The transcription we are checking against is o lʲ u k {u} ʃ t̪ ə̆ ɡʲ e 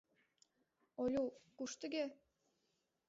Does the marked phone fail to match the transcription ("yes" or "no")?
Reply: no